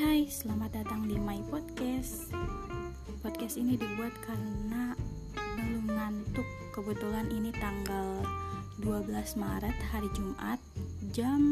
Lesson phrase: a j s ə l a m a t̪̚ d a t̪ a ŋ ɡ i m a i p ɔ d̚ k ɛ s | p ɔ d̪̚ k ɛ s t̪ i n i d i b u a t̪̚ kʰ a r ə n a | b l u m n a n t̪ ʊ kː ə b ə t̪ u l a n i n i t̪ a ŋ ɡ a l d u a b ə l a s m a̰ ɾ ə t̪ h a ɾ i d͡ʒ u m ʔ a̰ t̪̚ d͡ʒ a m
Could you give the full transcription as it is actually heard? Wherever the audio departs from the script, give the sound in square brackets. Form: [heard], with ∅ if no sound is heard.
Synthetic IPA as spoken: a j s ə l a m a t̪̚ d a t̪ a ŋ [d] i m a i p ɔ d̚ k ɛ s | p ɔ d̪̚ k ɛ s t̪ i n i d i b u a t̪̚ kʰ a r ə n a | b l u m n a n t̪ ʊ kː ə b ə t̪ u l a n i n i t̪ a ŋ ɡ a l d u a b ə l a s m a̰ ɾ ə t̪ h a ɾ i d͡ʒ u m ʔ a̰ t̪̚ d͡ʒ a m